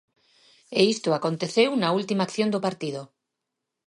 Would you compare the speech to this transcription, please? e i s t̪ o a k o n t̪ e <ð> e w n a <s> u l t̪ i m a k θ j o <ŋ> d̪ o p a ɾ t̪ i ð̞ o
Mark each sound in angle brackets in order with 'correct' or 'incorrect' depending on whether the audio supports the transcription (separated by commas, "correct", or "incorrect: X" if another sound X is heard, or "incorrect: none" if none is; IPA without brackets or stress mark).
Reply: incorrect: θ, incorrect: none, incorrect: n